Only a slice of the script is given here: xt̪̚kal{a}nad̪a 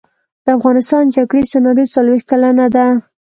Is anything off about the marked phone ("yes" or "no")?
no